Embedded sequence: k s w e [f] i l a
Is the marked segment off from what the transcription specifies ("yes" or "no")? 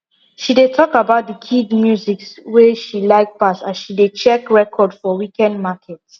yes